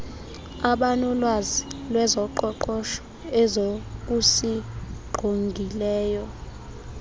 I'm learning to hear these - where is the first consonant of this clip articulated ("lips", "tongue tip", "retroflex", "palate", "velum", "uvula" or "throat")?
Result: lips